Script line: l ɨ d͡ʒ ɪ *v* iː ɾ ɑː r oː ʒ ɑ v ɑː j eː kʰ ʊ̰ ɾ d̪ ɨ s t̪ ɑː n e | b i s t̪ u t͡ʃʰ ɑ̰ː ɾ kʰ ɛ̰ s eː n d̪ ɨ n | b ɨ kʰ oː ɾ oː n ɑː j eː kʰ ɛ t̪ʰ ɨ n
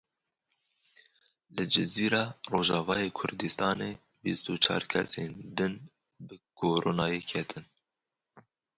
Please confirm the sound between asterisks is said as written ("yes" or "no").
no